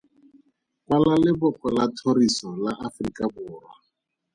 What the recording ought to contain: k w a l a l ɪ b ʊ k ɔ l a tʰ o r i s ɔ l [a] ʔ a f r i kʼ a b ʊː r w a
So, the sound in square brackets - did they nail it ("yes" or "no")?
yes